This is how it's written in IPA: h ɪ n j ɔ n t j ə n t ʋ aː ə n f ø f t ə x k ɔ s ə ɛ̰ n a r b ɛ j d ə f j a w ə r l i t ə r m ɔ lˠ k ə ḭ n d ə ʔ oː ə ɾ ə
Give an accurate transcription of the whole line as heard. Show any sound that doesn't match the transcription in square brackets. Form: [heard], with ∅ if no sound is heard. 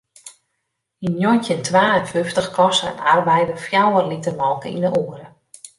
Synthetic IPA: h [i] n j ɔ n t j ə n t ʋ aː ə n f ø f t ə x k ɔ s ə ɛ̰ n a r b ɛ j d ə f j a w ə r l i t ə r m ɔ lˠ k ə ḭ n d ə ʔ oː ə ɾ ə